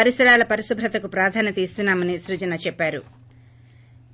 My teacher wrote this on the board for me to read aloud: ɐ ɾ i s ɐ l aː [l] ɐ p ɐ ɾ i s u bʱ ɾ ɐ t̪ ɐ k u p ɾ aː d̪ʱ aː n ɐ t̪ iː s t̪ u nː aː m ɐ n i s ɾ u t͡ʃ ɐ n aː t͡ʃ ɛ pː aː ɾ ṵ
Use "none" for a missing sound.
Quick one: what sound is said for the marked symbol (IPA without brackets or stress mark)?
l